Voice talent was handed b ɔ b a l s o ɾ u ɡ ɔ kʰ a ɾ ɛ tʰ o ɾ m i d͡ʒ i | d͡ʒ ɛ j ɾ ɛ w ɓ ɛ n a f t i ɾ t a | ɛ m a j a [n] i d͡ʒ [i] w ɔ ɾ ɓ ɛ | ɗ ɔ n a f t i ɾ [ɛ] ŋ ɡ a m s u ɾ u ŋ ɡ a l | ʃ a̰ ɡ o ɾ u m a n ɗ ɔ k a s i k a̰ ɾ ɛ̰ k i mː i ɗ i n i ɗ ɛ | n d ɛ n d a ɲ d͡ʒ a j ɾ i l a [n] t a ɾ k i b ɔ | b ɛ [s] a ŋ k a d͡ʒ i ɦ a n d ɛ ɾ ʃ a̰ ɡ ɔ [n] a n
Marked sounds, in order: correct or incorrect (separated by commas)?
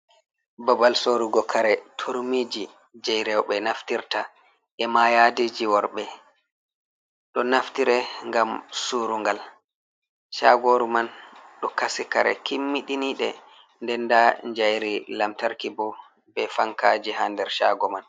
incorrect, correct, correct, incorrect, incorrect, incorrect